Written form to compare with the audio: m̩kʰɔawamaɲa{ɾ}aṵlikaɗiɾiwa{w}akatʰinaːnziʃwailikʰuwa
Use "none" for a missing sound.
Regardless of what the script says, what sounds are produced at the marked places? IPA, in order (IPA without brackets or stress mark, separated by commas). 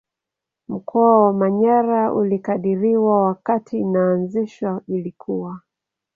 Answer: ɾ, w